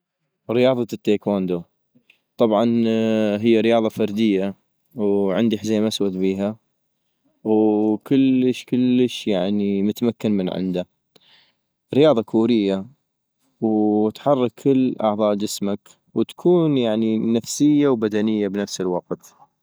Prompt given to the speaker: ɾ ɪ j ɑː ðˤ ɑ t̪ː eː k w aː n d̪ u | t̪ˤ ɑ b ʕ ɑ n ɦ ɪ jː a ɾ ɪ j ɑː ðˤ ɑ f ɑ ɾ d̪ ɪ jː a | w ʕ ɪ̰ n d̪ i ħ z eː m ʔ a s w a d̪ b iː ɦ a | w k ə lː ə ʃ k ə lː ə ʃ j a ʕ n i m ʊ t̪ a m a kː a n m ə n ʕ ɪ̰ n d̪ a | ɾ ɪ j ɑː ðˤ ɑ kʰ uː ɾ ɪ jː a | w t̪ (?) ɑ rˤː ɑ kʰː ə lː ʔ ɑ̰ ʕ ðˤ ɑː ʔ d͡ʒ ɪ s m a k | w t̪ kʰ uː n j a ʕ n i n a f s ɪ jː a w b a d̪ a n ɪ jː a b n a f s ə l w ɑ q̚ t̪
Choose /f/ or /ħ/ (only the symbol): ħ